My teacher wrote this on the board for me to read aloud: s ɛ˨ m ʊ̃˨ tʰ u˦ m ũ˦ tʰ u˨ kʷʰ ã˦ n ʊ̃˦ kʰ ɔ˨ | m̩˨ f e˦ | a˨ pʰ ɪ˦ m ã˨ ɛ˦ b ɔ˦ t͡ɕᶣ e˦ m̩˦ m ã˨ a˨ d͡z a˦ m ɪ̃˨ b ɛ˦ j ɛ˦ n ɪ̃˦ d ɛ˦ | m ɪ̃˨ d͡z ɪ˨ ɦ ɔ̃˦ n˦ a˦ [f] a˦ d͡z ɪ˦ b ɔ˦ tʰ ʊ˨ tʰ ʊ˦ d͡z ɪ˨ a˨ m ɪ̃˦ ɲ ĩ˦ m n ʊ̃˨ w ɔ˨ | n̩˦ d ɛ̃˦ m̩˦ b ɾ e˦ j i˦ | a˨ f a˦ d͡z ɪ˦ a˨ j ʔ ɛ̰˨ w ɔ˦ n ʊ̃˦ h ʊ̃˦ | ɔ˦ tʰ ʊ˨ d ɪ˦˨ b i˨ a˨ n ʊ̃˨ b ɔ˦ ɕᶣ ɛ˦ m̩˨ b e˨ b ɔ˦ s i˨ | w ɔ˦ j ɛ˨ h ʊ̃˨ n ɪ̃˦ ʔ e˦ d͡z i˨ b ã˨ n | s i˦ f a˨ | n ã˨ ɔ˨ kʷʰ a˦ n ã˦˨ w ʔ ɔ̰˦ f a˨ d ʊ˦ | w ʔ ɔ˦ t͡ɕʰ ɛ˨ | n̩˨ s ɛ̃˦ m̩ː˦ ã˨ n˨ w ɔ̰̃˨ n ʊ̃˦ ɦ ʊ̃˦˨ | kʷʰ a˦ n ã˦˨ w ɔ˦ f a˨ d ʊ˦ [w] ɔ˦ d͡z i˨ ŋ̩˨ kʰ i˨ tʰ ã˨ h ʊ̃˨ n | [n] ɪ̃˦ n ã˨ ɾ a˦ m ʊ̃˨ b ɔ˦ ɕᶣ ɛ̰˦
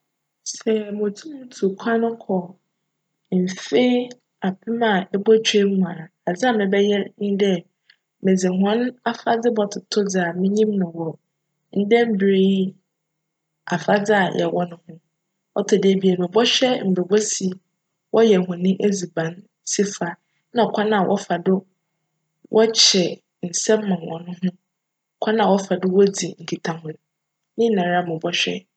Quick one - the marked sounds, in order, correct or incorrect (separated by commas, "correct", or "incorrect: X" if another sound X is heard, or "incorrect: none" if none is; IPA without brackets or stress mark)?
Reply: correct, correct, correct